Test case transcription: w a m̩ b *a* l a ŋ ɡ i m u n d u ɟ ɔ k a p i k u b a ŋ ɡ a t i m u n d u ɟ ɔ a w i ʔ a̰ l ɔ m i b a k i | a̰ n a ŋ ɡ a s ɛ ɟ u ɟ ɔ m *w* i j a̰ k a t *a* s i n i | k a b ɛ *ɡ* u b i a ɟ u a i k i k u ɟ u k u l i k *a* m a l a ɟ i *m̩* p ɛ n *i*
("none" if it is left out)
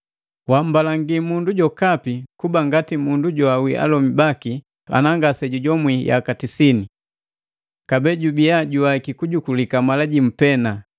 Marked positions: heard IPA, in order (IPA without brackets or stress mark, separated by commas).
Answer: a, w, i, ɟ, a, m̩, a